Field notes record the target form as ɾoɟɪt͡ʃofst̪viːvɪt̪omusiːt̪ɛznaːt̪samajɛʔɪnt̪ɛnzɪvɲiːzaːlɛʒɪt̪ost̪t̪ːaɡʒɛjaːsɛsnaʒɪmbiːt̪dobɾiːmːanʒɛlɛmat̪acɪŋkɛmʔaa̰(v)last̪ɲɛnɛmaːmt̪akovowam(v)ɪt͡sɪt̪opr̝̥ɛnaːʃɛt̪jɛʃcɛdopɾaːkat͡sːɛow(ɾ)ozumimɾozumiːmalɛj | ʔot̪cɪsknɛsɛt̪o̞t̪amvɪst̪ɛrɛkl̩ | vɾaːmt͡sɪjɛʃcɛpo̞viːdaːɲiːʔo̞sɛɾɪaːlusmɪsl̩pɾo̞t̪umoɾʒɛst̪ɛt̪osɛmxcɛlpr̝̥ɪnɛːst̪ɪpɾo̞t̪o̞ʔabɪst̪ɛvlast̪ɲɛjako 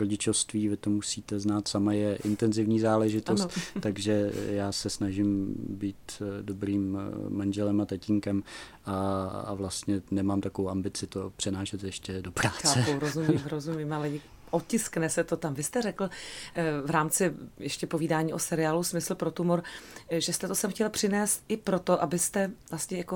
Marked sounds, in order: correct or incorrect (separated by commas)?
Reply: correct, incorrect, correct